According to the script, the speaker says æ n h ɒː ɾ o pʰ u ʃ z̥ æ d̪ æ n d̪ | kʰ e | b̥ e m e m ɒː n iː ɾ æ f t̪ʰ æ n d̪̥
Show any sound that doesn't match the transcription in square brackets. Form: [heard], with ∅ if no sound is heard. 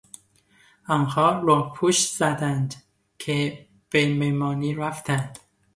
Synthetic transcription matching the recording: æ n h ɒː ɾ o pʰ u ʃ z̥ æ d̪ æ n d̪ | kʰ e | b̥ e m e m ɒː n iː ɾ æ f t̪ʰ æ n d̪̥